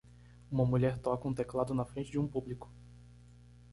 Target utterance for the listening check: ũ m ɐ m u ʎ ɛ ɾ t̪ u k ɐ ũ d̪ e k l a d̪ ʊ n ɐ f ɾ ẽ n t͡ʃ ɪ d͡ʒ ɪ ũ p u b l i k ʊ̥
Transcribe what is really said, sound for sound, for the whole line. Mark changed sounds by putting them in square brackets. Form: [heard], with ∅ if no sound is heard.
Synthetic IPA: ũ m ɐ m u ʎ ɛ ɾ t̪ [ɔ] k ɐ ũ [t̪] e k l a d̪ ʊ n ɐ f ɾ ẽ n t͡ʃ ɪ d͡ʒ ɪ ũ p u b l i k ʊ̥

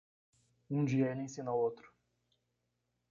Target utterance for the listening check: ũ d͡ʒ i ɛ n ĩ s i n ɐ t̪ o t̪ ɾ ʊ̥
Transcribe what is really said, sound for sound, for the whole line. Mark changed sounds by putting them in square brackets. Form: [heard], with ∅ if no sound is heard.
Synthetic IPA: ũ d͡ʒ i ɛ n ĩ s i n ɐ [∅] o t̪ ɾ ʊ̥

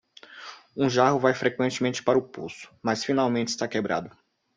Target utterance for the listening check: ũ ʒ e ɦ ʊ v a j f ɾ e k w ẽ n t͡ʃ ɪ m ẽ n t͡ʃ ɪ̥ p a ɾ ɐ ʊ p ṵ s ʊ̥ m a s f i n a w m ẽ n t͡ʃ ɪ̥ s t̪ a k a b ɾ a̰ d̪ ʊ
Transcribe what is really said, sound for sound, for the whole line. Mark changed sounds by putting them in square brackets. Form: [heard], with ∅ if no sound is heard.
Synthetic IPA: ũ ʒ [a] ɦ ʊ v a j f ɾ e k w ẽ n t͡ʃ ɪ m ẽ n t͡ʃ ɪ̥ p a ɾ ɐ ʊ p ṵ s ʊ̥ m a s f i n a w m ẽ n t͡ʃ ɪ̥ s t̪ a k [e] b ɾ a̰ d̪ ʊ

